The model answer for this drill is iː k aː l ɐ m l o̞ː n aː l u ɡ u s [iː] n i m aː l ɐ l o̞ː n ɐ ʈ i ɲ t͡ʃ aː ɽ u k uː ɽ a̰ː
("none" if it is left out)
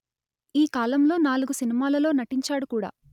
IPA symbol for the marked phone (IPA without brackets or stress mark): i